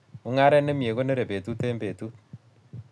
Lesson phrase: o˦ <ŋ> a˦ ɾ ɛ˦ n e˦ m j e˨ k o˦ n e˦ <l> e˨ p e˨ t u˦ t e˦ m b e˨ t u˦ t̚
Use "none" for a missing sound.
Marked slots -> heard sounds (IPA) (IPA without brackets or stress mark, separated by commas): ŋ, ɾ